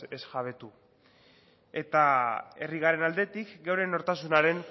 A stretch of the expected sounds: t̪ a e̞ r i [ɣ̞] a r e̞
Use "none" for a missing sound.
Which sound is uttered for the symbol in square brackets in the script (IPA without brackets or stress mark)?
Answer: ɣ̞